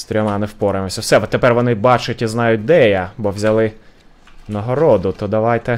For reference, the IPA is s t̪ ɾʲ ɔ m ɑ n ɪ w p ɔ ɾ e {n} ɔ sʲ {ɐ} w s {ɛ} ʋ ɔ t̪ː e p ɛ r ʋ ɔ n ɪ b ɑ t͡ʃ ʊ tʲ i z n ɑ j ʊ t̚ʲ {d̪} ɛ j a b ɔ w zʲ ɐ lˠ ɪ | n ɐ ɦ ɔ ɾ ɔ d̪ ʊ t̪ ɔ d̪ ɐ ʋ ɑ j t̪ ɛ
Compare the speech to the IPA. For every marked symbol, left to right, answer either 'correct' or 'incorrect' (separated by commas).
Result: incorrect, correct, correct, correct